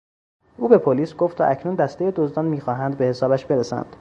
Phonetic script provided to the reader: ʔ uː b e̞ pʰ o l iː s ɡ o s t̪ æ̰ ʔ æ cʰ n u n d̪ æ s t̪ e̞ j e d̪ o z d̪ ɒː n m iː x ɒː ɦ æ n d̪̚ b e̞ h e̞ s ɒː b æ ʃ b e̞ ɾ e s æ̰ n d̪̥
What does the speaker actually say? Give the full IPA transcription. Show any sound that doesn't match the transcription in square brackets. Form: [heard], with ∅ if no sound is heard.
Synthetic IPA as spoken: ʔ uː b e̞ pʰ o l iː s ɡ o [f] t̪ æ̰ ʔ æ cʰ n u n d̪ æ s t̪ e̞ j e d̪ o z d̪ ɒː n m iː x ɒː ɦ æ n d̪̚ b e̞ h e̞ s ɒː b æ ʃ b e̞ ɾ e s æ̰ n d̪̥